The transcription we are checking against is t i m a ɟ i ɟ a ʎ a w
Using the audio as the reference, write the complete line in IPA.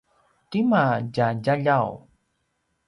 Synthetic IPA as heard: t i m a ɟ a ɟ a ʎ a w